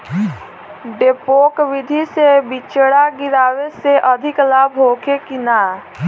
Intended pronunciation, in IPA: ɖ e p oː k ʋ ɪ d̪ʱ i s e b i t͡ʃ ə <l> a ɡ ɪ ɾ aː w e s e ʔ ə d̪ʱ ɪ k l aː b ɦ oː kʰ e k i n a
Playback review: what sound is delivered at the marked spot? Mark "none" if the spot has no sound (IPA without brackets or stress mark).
ɽ